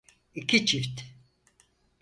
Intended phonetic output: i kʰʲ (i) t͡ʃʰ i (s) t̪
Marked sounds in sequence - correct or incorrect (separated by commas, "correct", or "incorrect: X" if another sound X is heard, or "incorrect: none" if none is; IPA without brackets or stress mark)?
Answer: correct, incorrect: f